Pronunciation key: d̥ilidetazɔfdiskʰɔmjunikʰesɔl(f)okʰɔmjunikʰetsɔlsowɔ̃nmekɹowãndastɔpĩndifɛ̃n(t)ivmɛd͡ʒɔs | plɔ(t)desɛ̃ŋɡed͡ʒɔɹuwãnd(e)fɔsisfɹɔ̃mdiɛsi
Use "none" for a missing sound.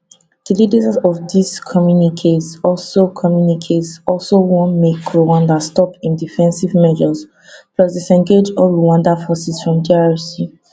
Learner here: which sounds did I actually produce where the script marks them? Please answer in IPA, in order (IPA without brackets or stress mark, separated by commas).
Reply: s, s, s, a